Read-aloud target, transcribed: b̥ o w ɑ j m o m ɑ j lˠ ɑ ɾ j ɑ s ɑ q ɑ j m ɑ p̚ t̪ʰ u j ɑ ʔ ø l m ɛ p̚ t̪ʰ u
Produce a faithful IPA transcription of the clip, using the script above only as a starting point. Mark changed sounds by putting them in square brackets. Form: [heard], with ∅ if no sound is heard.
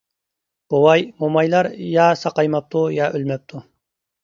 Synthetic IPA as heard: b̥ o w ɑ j m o m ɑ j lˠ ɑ ɾ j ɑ s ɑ q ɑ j m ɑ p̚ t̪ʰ u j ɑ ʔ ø l m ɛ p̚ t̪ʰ u